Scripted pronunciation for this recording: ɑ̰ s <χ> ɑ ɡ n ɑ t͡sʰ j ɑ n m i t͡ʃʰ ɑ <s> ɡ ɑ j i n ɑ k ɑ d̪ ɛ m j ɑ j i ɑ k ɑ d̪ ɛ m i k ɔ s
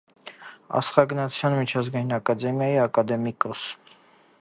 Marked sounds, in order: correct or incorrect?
correct, incorrect

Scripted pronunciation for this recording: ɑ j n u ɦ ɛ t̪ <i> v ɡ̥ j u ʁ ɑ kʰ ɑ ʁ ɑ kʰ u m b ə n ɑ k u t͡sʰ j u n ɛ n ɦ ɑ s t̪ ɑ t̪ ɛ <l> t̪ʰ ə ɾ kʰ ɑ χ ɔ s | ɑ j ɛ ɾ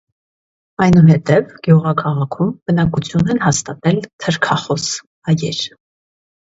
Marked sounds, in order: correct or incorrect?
incorrect, correct

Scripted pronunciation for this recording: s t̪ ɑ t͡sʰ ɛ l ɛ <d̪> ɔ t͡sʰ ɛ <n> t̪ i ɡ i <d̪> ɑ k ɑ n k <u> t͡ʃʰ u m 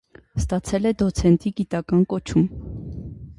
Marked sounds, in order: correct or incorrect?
correct, correct, incorrect, incorrect

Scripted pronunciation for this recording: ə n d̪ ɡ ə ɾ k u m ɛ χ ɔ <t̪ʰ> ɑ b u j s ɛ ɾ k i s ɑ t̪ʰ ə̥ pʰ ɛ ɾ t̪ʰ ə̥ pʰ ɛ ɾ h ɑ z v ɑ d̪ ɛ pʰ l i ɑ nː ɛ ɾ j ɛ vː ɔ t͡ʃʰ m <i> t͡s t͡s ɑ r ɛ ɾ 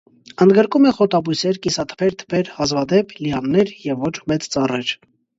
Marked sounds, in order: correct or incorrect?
incorrect, incorrect

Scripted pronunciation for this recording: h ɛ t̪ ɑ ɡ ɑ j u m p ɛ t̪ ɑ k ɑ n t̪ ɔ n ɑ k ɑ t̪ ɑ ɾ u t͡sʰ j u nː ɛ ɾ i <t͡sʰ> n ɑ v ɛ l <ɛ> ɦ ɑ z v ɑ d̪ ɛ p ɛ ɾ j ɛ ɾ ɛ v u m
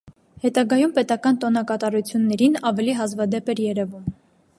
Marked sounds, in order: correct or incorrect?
incorrect, incorrect

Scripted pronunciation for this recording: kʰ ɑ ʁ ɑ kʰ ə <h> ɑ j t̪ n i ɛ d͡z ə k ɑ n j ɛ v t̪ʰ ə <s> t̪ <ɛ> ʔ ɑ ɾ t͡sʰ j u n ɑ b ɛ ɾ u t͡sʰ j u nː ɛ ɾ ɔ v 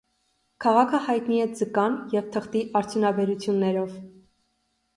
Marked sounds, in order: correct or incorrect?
correct, incorrect, incorrect

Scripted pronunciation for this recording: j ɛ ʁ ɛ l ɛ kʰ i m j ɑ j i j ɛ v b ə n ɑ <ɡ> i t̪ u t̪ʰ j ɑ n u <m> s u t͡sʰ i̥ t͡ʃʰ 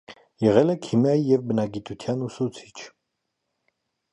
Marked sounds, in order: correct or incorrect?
correct, incorrect

